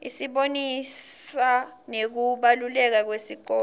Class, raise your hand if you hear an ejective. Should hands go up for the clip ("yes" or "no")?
no